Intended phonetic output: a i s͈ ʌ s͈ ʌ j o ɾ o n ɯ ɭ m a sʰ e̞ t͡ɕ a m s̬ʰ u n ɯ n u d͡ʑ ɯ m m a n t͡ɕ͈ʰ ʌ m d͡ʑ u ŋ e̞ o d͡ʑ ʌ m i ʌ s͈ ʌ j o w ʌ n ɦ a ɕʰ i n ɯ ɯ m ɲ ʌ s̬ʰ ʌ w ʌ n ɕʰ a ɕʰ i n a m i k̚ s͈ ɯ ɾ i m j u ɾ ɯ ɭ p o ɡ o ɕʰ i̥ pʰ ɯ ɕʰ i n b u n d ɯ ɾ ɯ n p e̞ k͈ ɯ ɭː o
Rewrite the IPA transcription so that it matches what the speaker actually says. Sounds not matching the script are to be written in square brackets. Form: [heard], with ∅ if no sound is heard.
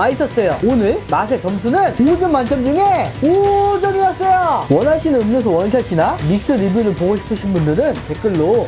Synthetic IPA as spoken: a i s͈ ʌ s͈ ʌ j o [∅] o n ɯ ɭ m a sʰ e̞ t͡ɕ [ʌ] m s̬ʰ u n ɯ n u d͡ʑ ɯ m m a n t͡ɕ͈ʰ ʌ m d͡ʑ u ŋ e̞ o d͡ʑ ʌ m i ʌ s͈ ʌ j o w ʌ n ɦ a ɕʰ i n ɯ ɯ m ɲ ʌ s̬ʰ ʌ w ʌ n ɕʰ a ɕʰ i n a m i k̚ s͈ ɯ ɾ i [b] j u ɾ ɯ ɭ p o ɡ o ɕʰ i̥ pʰ ɯ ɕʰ i n b u n d ɯ ɾ ɯ n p e̞ k͈ ɯ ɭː o